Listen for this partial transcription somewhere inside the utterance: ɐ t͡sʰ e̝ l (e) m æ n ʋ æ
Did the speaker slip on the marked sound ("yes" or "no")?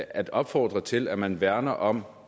yes